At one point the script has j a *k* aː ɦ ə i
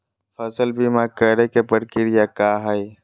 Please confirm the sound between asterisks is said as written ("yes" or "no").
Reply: yes